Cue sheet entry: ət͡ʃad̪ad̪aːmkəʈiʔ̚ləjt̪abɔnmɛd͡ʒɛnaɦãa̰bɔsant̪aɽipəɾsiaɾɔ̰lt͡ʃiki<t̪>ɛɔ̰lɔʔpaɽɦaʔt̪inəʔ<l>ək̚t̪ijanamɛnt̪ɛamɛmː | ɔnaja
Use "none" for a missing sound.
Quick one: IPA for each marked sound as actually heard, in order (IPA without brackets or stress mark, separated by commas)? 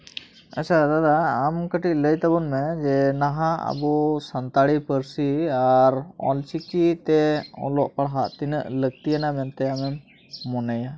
t̪, l